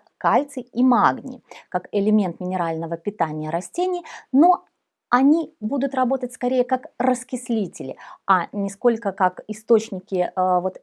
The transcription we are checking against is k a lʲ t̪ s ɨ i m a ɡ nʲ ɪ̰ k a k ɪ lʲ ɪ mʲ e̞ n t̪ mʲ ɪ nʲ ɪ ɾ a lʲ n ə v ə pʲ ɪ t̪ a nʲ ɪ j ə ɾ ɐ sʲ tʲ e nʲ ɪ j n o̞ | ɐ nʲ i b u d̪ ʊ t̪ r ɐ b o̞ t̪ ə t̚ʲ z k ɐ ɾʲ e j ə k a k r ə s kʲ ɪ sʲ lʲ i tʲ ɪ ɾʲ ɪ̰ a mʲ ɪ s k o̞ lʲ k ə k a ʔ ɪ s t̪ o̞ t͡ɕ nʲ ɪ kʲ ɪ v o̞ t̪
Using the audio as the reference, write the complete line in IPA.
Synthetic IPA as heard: k a lʲ t̪ s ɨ i m a ɡ nʲ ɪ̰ k a k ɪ lʲ ɪ mʲ e̞ n t̪ mʲ ɪ nʲ ɪ ɾ a lʲ n ə v ə pʲ ɪ t̪ a nʲ ɪ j ə ɾ ɐ sʲ tʲ e nʲ ɪ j n o̞ | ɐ nʲ i b u d̪ ʊ t̪ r ɐ b o̞ t̪ ə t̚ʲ s k ɐ ɾʲ e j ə k a k r ə s kʲ ɪ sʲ lʲ i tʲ ɪ lʲ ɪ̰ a nʲ ɪ s k o̞ lʲ k ə k a k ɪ s t̪ o̞ t͡ɕ nʲ ɪ kʲ ɪ v o̞ t̪

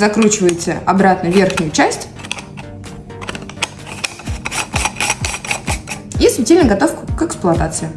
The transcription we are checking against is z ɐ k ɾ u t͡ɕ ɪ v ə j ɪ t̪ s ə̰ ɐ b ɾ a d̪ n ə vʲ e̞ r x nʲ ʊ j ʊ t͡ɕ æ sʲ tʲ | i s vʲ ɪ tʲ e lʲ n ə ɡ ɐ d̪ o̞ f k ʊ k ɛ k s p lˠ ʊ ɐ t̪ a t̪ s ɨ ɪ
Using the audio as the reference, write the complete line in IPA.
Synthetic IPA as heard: z ɐ k ɾ u t͡ɕ ɪ v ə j ɪ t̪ s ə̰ ɐ b ɾ a t̪ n ə vʲ e̞ r x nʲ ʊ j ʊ t͡ɕ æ sʲ tʲ | i s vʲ ɪ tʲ e lʲ n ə ɡ ɐ t̪ o̞ f k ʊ k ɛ k s p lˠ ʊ ɐ t̪ a t̪ s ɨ ɪ

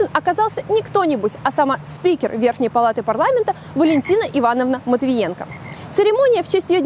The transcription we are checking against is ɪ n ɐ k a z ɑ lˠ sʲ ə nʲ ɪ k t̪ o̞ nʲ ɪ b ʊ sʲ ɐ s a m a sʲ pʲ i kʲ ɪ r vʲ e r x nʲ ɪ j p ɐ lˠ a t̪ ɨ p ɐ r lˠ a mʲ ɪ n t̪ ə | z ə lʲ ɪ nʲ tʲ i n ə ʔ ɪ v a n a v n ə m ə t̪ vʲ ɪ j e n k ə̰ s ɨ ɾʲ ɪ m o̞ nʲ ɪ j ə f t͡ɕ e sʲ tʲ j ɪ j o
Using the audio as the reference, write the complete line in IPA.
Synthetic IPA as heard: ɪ n ɐ k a z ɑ lˠ sʲ ə nʲ ɪ k t̪ o̞ nʲ ɪ b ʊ tʲ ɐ s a m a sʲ pʲ i kʲ ɪ r vʲ e r x nʲ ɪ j p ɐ lˠ a t̪ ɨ p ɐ r lˠ a mʲ ɪ n t̪ ə | v ə lʲ ɪ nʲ tʲ i n ə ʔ ɪ v a n ə v n ə m ə t̪ vʲ ɪ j e n k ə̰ s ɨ ɾʲ ɪ m o̞ nʲ ɪ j ə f t͡ɕ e sʲ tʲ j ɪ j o

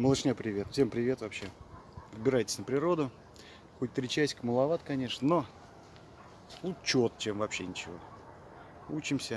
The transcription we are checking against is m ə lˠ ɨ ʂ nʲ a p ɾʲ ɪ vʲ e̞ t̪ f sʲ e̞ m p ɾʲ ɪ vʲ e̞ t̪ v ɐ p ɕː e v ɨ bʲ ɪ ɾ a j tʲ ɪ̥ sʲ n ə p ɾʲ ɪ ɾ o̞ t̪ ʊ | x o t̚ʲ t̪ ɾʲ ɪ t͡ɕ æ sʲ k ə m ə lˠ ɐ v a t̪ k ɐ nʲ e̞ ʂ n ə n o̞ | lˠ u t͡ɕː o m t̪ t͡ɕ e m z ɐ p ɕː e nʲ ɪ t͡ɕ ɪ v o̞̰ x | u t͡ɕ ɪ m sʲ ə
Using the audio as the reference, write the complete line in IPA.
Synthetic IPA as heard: m ə lˠ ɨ ʂ nʲ a p ɾʲ ɪ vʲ e̞ t̪ f sʲ e̞ m p ɾʲ ɪ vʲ e̞ t̪ v ɐ p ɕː e v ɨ bʲ ɪ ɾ a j tʲ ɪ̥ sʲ n ə p ɾʲ ɪ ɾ o̞ d̪ ʊ | x o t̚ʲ t̪ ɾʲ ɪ t͡ɕ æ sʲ k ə m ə lˠ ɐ v a t̪ k ɐ nʲ e̞ ʂ n ə n o̞ | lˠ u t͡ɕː o t̪ t͡ɕ e m v ɐ p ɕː e nʲ ɪ t͡ɕ ɪ v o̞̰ | u t͡ɕ ɪ m sʲ ə

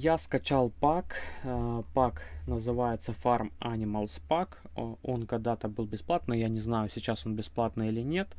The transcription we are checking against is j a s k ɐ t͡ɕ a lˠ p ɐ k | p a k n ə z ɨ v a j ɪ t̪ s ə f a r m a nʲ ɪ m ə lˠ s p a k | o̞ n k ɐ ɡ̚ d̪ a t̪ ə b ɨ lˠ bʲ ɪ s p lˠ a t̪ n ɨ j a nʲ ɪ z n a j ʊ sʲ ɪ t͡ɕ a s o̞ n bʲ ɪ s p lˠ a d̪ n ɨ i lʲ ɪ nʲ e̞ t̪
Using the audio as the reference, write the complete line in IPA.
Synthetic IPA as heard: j a s k ɐ t͡ɕ a lˠ p a k | p a k n ə z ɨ v a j ɪ t̪ s ə f a r m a nʲ ɪ m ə lˠ s p a k | o̞ n k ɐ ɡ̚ d̪ a t̪ ə b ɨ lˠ bʲ ɪ s p lˠ a t̪ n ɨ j a nʲ ɪ z n a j ʊ sʲ ɪ t͡ɕ a s o̞ n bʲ ɪ s p lˠ a t̪ n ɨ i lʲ ɪ nʲ e̞ t̪

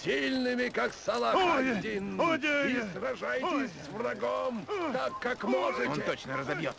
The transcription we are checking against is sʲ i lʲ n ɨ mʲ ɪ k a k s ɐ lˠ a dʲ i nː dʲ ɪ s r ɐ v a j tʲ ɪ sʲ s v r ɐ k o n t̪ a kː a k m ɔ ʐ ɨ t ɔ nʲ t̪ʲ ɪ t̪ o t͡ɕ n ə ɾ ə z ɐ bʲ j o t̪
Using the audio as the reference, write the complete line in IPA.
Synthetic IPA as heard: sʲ i lʲ n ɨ mʲ ɪ k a k s ɐ lˠ a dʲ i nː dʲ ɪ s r ɐ ʐ a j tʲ ɪ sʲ s v r ɐ ɡ o m t̪ a kː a k m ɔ ʐ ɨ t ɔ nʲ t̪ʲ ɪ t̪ o t͡ɕ n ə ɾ ə z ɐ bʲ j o t̪

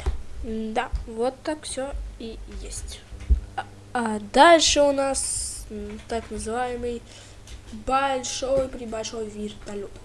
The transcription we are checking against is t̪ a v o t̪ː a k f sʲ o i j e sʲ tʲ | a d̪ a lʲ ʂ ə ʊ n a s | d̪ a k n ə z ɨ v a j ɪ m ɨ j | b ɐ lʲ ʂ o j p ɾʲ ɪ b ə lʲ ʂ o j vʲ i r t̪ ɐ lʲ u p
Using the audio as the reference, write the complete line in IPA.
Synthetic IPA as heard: d̪ a v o t̪ː a k f sʲ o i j e sʲ tʲ | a d̪ a lʲ ʂ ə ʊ n a s | t̪ a k n ə z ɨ v a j ɪ m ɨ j | b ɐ lʲ ʂ o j p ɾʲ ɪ b ɐ lʲ ʂ o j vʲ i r t̪ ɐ lʲ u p

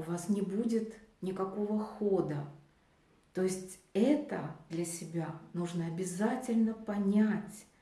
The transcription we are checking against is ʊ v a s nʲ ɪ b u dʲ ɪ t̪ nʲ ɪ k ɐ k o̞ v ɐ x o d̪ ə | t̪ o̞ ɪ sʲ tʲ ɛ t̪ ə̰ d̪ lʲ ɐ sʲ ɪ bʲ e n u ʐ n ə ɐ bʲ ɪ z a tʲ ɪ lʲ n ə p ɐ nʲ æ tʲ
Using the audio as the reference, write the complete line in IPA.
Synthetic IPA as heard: ʊ v a s nʲ ɪ b u dʲ ɪ t̪ nʲ ɪ k ɐ k o̞ v ə x o d̪ ə | t̪ o̞ ɪ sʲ tʲ ɛ t̪ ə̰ d̪ lʲ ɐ sʲ ɪ bʲ a n u ʐ n ə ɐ bʲ ɪ z a tʲ ɪ lʲ n ə p ɐ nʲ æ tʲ

